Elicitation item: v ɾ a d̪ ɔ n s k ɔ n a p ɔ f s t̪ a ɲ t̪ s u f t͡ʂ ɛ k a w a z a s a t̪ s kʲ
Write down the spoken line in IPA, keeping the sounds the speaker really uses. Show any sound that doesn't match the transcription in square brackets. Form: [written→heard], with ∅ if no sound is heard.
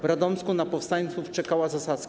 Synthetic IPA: v ɾ a d̪ ɔ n s k [ɔ→u] n a p ɔ f s t̪ a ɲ t̪ s u f t͡ʂ ɛ k a w a z a s a t̪ s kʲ